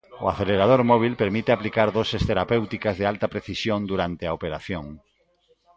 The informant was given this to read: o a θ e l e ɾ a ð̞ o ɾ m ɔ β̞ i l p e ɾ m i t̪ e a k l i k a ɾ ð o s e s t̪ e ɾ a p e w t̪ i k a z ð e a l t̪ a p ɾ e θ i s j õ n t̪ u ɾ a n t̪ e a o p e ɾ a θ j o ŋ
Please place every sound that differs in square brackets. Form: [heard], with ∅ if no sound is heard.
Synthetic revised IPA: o a θ e l e ɾ a ð̞ o ɾ m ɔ β̞ i l p e ɾ m i t̪ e a [p] l i k a ɾ ð o s e s t̪ e ɾ a p e w t̪ i k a z ð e a l t̪ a p ɾ e θ i s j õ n [d̪] u ɾ a n t̪ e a o p e ɾ a θ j o ŋ